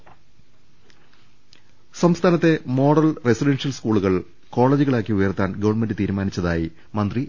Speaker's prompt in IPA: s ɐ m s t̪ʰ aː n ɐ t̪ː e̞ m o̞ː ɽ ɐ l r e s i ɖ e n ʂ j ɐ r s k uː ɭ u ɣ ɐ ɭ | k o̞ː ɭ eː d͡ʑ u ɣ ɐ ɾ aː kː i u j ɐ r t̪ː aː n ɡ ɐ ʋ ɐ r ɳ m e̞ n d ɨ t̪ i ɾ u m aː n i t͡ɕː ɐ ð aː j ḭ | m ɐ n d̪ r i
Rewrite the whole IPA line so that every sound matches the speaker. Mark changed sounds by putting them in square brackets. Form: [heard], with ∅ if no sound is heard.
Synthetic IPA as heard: s ɐ m s t̪ʰ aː n ɐ t̪ː e̞ m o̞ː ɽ ɐ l r e s i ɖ e n ʂ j ɐ [l] s k uː ɭ u ɣ ɐ ɭ | k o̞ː ɭ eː d͡ʑ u ɣ ɐ [ɭ] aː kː i u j ɐ r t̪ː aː n ɡ ɐ ʋ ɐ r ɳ m e̞ n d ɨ t̪ [iː] ɾ u m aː n i t͡ɕː ɐ ð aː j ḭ | m ɐ n d̪ r i